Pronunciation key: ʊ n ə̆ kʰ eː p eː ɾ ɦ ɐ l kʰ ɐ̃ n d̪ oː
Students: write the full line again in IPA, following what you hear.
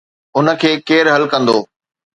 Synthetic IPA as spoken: ʊ n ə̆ kʰ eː k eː ɾ ɦ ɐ l k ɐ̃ n d̪ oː